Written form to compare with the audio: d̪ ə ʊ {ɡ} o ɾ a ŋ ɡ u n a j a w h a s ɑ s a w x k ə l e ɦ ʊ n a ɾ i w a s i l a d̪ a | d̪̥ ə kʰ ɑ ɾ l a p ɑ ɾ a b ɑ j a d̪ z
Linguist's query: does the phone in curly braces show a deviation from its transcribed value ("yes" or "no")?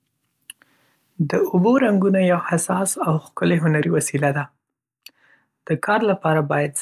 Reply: yes